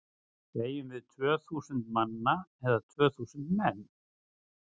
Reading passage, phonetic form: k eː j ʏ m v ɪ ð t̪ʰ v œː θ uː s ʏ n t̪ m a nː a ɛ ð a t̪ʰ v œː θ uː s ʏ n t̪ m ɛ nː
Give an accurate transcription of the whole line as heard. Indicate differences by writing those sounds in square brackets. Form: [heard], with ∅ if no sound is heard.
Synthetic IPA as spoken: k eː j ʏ m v ɪ ð t̪ʰ v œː θ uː s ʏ n t̪ m a nː a ɛ ð a t̪ʰ v œː θ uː s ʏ n t̪ m ɛ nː